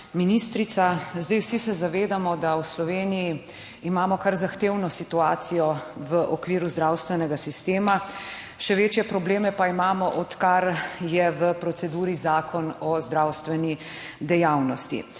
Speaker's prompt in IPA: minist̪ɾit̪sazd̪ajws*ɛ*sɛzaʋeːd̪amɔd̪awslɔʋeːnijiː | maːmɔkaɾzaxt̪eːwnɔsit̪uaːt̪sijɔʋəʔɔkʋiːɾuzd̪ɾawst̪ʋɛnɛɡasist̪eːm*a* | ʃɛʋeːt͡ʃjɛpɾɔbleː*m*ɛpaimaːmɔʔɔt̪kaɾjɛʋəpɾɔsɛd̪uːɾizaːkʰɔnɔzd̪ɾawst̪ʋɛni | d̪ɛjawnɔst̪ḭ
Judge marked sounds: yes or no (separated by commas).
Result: no, yes, yes